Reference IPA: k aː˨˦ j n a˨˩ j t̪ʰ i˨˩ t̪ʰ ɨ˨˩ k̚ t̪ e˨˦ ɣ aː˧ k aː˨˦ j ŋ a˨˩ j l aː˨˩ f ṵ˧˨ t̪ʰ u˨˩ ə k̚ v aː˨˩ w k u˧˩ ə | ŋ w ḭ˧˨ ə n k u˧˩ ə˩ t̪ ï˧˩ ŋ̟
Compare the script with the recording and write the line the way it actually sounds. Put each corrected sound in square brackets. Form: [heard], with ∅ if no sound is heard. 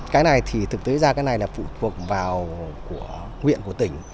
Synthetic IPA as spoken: k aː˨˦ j n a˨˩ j t̪ʰ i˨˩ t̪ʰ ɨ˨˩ k̚ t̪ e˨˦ [z] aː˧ k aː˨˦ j [n] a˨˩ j l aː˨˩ f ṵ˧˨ t̪ʰ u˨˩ ə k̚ v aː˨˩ w k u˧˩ ə | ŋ w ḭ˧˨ ə n k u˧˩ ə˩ t̪ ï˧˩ ŋ̟